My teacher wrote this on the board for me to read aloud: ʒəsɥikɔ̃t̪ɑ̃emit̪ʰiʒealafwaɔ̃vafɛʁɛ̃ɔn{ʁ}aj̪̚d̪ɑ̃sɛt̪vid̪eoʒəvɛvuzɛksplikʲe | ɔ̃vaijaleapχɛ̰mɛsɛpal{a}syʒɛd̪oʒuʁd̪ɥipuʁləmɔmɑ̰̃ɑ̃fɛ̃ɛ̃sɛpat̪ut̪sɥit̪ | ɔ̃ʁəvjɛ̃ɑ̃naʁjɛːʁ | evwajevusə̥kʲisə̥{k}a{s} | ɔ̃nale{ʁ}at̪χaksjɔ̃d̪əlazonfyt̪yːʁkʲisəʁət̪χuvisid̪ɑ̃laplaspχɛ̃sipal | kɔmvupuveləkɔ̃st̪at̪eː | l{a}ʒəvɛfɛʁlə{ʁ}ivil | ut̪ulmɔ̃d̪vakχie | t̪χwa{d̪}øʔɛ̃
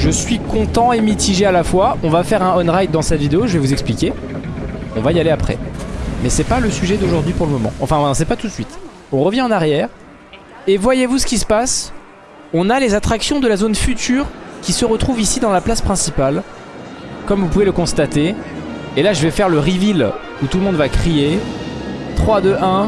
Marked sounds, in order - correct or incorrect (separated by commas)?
correct, incorrect, incorrect, correct, incorrect, correct, correct, correct